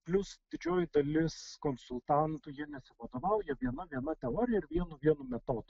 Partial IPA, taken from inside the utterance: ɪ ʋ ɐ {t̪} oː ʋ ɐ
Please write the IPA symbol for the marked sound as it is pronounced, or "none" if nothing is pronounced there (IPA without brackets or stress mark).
d̪